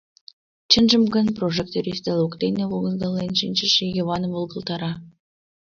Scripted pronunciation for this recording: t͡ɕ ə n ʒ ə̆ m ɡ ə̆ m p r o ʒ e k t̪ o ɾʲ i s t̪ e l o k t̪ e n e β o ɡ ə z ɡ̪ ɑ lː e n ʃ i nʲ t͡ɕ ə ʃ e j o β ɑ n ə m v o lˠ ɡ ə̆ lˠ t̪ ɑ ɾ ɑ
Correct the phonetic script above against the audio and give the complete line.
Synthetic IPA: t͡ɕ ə n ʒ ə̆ m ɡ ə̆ n p r o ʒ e k t̪ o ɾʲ i s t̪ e l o k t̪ e n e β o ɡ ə z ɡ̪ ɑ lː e n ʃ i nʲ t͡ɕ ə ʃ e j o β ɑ n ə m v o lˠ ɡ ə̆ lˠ t̪ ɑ ɾ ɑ